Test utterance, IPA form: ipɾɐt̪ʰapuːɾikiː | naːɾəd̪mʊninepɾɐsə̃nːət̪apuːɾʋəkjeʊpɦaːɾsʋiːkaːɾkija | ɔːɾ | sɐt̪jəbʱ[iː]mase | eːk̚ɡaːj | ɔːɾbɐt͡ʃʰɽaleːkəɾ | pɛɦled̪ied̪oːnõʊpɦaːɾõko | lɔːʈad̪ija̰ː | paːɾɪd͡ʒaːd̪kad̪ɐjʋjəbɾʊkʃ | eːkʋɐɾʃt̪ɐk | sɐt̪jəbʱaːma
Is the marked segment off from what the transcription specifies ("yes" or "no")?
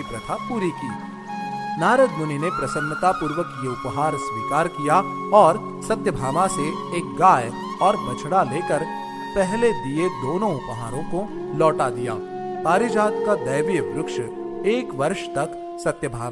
yes